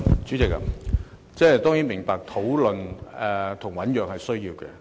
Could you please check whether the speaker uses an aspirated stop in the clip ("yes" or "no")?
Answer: yes